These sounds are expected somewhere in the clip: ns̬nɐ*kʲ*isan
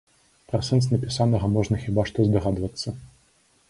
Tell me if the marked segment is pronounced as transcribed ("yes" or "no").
no